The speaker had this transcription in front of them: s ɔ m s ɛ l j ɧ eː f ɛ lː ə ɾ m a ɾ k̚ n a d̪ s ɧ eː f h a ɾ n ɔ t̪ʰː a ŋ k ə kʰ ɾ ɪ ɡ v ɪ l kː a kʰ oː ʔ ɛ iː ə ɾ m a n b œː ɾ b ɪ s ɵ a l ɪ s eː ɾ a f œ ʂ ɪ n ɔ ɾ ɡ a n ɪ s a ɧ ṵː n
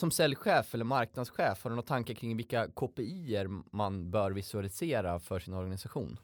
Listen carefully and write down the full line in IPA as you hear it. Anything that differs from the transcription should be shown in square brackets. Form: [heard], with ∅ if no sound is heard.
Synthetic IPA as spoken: s ɔ m s ɛ l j ɧ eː f ɛ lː ə ɾ m a ɾ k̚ n a d̪ s ɧ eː f h a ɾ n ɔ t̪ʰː a ŋ k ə kʰ ɾ ɪ [ŋ] v ɪ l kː a kʰ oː [p] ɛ iː ə ɾ m a n b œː ɾ [v] ɪ s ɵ a l ɪ s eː ɾ a f œ ʂ ɪ n ɔ ɾ ɡ a n ɪ s a ɧ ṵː n